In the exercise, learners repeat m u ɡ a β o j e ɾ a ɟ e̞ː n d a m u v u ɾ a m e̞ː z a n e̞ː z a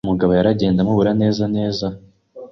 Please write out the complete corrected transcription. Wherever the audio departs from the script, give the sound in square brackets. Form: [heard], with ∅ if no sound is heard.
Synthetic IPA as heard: m u ɡ a β o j [a] ɾ a ɟ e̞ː n d a m u [β] u ɾ a [n] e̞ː z a n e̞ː z a